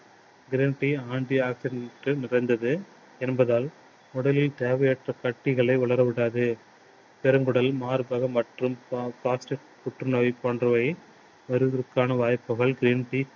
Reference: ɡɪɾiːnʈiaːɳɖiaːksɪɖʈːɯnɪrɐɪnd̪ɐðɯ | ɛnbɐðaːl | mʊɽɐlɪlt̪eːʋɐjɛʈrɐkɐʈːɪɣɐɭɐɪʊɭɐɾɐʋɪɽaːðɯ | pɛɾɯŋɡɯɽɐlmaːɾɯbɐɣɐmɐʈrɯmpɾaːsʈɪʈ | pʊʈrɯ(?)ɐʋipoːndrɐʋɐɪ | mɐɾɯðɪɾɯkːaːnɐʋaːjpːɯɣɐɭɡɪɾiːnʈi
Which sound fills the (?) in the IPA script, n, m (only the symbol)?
n